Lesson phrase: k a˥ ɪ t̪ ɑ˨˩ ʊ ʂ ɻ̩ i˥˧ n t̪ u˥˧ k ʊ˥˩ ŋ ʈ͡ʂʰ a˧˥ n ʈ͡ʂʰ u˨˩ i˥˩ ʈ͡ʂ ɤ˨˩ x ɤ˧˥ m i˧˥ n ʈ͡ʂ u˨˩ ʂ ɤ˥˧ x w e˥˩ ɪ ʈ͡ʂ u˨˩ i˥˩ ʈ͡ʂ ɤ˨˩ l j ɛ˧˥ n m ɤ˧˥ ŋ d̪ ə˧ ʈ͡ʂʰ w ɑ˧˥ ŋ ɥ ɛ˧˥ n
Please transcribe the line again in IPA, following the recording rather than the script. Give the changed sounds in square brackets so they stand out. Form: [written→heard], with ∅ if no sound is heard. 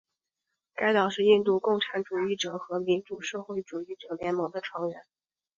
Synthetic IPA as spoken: k a˥ ɪ t̪ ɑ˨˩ ʊ ʂ ɻ̩ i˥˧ n t̪ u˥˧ k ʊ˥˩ ŋ ʈ͡ʂʰ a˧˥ n [ʈ͡ʂʰ→ʈ͡ʂ] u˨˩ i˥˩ ʈ͡ʂ ɤ˨˩ x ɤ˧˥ m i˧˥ n ʈ͡ʂ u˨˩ ʂ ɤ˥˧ x w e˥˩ ɪ ʈ͡ʂ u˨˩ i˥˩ ʈ͡ʂ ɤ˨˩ l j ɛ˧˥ n m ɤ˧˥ ŋ d̪ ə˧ ʈ͡ʂʰ w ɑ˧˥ ŋ ɥ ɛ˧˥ n